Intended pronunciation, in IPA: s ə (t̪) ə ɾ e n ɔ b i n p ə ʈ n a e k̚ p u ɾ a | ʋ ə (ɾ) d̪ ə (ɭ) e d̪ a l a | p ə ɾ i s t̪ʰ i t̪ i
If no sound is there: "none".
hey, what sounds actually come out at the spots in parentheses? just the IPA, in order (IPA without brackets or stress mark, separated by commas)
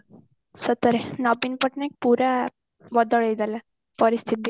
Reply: t̪, none, ɭ